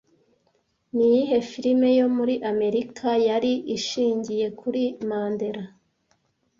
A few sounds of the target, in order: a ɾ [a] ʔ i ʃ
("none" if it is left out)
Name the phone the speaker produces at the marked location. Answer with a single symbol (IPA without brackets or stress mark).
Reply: i